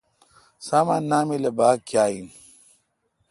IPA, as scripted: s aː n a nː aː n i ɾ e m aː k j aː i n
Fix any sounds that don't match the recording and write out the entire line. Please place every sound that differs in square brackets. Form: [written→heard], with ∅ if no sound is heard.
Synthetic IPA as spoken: s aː [n→m] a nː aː [n→m] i [ɾ→l] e [m→b] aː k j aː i n